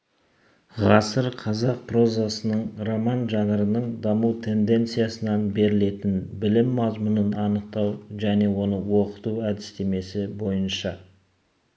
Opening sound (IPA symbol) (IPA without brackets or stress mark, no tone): ʁ